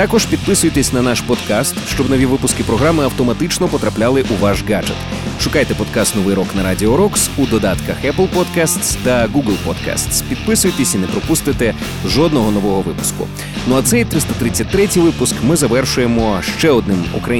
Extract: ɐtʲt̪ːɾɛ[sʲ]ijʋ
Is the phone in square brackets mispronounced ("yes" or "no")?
yes